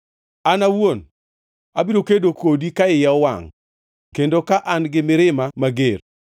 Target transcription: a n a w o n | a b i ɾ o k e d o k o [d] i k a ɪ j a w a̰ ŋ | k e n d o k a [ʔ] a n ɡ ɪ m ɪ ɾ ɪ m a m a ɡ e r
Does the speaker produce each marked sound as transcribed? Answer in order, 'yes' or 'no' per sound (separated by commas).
yes, yes